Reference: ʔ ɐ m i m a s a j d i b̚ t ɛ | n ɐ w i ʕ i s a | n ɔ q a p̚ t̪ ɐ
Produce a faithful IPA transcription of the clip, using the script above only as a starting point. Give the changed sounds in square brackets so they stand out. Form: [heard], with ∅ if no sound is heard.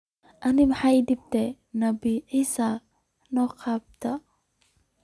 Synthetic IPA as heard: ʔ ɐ [n] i m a [ħ] a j d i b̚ t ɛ | n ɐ [b] i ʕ i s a | n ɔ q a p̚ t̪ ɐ